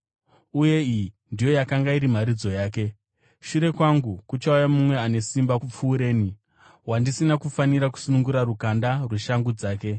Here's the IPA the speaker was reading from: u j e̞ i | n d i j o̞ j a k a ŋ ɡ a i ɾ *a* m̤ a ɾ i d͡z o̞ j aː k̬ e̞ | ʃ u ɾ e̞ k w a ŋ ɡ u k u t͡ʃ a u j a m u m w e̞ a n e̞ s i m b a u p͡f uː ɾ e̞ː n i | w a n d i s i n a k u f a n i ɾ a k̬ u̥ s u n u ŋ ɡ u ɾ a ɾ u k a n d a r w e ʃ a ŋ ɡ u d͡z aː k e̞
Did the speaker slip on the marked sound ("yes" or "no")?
yes